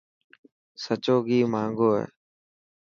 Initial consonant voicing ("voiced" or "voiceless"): voiceless